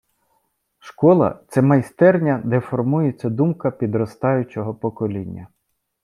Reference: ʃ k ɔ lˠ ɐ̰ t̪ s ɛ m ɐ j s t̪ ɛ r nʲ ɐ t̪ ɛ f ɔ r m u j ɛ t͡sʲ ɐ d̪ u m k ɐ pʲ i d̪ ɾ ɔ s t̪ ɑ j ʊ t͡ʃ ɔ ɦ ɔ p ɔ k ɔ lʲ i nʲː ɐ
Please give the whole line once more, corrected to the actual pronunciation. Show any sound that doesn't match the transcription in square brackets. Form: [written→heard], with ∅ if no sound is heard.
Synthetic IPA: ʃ k ɔ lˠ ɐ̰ t̪ s ɛ m ɐ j s t̪ ɛ r nʲ ɐ [t̪→d̪] ɛ f ɔ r m u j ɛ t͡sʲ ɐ d̪ u m k ɐ pʲ i d̪ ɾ ɔ s t̪ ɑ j ʊ t͡ʃ ɔ ɦ ɔ p ɔ k ɔ lʲ i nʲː ɐ